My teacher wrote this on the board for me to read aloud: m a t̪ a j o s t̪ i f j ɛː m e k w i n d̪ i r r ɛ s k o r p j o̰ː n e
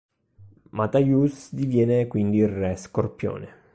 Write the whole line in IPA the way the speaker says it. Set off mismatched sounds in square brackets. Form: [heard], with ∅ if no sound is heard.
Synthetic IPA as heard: m a t̪ a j [u] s [d̪] i [v] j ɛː [n] e k w i n d̪ i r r ɛ s k o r p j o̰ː n e